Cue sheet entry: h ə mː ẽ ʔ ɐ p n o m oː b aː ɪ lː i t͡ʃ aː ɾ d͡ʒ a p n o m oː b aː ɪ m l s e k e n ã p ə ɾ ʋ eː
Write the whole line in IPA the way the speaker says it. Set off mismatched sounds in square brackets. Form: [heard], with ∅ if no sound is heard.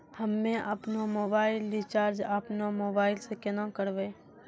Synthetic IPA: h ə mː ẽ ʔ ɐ p n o m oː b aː ɪ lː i t͡ʃ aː ɾ d͡ʒ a p n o m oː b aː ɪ [∅] l s e k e n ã [k] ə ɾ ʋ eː